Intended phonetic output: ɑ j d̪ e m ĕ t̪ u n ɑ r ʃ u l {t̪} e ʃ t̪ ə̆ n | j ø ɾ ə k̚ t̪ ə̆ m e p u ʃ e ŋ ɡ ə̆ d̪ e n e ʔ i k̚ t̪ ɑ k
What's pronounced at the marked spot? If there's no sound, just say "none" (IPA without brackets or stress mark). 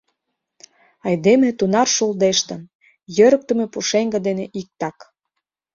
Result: d̪